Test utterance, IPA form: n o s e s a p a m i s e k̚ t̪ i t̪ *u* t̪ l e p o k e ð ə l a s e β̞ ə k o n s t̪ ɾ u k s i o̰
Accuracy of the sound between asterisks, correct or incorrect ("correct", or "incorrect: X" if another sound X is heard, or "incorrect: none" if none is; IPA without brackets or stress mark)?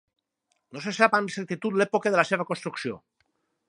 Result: correct